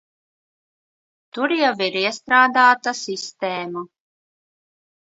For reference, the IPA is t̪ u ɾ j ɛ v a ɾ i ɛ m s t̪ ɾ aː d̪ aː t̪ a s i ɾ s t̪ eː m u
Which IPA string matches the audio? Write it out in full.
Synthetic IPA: t̪ u ɾ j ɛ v i ɾ i ɛ s t̪ ɾ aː d̪ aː t̪ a s i s t̪ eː m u